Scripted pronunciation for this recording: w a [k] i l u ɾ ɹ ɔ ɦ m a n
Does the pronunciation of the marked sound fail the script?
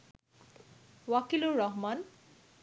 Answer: no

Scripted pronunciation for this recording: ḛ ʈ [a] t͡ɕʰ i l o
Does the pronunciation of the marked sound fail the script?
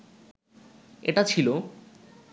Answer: no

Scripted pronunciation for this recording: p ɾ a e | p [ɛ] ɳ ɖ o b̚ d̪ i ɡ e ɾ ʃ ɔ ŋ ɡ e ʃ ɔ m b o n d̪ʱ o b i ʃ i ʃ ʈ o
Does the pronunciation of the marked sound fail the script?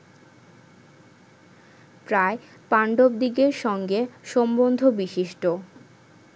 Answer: yes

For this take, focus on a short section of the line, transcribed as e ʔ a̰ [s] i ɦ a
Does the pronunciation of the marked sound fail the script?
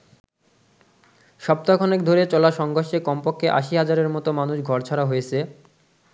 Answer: yes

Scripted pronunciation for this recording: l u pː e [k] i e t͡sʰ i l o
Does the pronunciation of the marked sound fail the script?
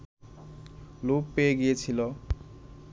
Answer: yes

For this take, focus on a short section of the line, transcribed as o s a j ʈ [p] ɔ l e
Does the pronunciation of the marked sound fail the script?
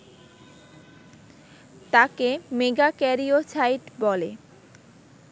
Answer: yes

